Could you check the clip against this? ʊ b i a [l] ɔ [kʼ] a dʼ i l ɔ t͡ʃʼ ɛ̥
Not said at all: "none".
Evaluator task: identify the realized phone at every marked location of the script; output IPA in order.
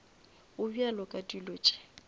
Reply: l, kʼ

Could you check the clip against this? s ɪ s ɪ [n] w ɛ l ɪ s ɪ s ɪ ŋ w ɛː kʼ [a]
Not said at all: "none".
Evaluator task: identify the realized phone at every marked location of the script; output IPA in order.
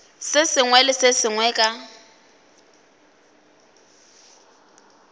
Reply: ŋ, a

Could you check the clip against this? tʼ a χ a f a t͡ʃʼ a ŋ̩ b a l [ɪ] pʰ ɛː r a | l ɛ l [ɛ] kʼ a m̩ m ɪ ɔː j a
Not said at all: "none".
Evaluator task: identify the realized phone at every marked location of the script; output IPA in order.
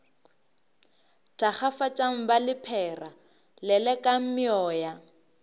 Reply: ɪ, ɛ

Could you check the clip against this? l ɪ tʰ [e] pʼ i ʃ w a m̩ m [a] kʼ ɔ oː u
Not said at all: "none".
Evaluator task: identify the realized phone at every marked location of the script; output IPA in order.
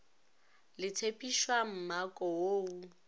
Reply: e, a

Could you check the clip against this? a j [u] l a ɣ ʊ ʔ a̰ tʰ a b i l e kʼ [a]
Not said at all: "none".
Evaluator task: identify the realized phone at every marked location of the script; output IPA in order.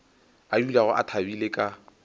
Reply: u, a

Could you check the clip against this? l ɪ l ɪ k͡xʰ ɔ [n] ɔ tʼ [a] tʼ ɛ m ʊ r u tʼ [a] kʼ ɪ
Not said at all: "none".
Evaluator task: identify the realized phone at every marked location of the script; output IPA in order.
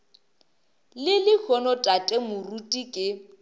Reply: n, a, i

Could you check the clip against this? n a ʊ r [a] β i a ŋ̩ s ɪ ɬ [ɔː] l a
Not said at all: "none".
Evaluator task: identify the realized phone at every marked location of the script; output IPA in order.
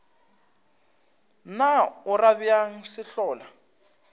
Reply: a, ɔː

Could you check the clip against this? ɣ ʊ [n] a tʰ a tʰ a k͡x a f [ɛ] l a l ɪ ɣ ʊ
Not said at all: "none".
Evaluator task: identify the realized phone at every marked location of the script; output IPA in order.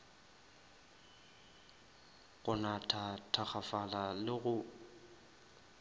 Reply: n, a

